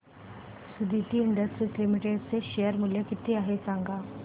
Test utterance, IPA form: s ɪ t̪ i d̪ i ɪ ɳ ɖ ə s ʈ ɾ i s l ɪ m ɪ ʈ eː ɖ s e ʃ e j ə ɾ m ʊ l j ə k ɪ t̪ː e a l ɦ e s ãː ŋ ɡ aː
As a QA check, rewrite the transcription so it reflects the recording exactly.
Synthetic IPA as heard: s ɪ d̪ i t̪ i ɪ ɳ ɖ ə s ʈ ɾ i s l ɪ m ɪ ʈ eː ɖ s e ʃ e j ə ɾ m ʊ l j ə k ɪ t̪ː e a ɦ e s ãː ŋ ɡ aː

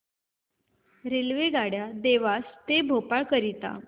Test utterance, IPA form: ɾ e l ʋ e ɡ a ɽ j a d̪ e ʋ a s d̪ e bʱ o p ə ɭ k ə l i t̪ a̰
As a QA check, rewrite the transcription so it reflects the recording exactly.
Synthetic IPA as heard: ɾ e l ʋ e ɡ a ɽ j a d̪ e ʋ a s t̪ e bʱ o p a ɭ k ə ɾ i t̪ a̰

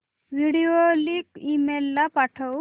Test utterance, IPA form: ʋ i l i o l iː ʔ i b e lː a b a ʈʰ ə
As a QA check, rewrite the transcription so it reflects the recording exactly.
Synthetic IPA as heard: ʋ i ɽ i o l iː k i m e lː a p a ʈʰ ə

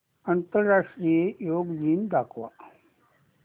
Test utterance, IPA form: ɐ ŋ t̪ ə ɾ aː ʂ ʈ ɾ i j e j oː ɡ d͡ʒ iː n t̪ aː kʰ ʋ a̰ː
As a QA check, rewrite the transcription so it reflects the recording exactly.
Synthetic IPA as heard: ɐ n t̪ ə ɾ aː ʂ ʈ ɾ i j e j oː ɡ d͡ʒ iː n d̪ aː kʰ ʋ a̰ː

